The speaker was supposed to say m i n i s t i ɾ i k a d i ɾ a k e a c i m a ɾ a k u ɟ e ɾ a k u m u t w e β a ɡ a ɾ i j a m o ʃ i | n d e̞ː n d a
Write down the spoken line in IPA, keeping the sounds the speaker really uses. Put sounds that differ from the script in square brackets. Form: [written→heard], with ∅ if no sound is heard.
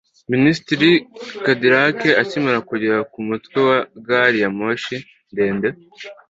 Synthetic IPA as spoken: m i n i s t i ɾ i k a d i ɾ a k e a c i m a ɾ a k u ɟ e ɾ a k u m u t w e [β→w] a ɡ a ɾ i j a m o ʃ i | n d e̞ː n d [a→e]